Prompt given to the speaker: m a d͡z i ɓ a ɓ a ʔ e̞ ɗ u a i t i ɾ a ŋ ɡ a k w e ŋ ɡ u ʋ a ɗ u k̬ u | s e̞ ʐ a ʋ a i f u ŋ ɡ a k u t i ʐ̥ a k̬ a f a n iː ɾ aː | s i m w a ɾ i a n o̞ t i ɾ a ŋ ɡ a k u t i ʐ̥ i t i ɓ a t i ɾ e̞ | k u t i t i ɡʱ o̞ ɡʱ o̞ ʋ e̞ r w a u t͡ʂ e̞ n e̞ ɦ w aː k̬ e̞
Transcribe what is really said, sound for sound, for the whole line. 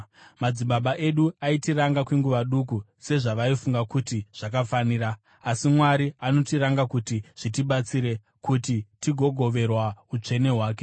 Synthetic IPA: m a d͡z i ɓ a ɓ a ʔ e̞ ɗ u a i t i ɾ a ŋ ɡ a k w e ŋ ɡ u ʋ a ɗ u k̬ u | s e̞ ʐ a ʋ a i f u ŋ ɡ a k u t i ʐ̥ a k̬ a f a n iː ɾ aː | s i m w a ɾ i a n o̞ t i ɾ a ŋ ɡ a k u t i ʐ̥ i t i ɓ a t͡s i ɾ e̞ | k u t i t i ɡʱ o̞ ɡʱ o̞ ʋ e̞ r w a u t͡ʂ e̞ n e̞ ɦ w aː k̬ e̞